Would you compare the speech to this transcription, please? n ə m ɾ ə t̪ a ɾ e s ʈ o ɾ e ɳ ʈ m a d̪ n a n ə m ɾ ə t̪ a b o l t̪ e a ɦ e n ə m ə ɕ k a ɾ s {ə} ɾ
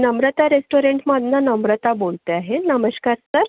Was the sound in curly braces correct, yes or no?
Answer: yes